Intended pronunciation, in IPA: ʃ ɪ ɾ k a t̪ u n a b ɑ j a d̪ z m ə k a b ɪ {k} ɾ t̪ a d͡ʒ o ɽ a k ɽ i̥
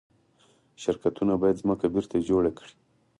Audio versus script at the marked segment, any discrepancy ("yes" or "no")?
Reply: yes